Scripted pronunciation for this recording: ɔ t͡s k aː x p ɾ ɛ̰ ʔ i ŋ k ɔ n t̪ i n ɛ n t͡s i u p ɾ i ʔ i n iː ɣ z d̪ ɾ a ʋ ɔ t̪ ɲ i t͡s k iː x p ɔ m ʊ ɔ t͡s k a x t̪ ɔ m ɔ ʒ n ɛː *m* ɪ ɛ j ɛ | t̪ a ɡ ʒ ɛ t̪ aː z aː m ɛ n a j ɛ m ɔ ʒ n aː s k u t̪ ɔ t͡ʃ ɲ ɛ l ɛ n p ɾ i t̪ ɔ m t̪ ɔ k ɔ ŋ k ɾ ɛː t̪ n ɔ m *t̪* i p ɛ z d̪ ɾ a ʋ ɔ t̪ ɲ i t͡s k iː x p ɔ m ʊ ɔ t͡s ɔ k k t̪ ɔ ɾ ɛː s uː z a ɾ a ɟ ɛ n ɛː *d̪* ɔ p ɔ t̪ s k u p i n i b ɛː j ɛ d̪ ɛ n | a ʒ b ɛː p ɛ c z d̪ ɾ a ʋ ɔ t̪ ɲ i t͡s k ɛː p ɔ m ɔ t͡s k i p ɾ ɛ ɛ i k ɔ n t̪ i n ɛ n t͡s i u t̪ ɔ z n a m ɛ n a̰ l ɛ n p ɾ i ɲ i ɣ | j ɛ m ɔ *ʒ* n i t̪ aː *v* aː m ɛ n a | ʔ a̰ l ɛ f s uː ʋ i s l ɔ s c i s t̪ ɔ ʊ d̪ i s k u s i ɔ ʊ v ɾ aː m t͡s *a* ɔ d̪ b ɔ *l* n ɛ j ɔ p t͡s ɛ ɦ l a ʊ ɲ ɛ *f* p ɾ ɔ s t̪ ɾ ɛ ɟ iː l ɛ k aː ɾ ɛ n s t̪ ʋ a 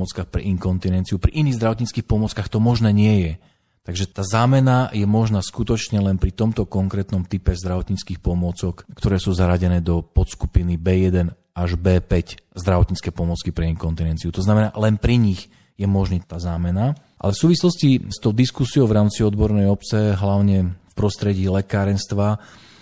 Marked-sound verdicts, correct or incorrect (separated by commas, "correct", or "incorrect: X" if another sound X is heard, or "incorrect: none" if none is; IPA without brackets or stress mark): incorrect: ɲ, correct, correct, correct, incorrect: z, incorrect: i, incorrect: ɾ, correct